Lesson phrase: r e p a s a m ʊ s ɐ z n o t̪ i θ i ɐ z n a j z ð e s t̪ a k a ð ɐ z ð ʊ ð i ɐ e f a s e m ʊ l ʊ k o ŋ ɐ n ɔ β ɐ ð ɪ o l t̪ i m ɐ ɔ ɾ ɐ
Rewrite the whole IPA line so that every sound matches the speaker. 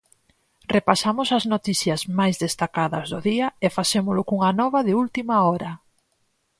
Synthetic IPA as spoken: r e p a s a m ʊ s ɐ z n o t̪ i θ j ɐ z m a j z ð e s t̪ a k a ð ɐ z ð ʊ ð i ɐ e f a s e m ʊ l ʊ k u ŋ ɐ n ɔ β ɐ ð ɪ u l t̪ i m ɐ ɔ ɾ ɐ

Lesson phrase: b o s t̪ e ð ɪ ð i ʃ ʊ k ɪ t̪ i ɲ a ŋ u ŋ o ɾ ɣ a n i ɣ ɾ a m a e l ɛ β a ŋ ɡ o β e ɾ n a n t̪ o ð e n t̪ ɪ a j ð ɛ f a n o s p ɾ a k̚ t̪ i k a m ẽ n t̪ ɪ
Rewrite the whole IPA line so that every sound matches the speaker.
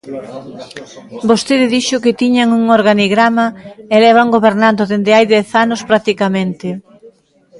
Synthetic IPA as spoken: b o s t̪ e ð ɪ ð i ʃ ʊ k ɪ t̪ i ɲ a ŋ u ŋ o ɾ ɣ a n i ɣ ɾ a m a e l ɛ β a ŋ ɡ o β e ɾ n a n d̪ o ð e n d̪ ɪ a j ð ɛ θ a n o s p ɾ a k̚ t̪ i k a m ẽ n t̪ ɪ

